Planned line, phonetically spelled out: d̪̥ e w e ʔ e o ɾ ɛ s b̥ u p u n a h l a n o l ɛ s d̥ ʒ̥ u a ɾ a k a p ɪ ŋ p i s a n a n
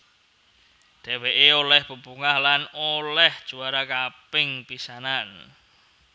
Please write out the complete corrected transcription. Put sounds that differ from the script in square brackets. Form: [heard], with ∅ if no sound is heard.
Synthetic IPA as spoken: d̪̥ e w e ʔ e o [l] ɛ [h] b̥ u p u [ŋ] a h l a n o l ɛ [h] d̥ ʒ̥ u a ɾ a k a p ɪ ŋ p i s a n a n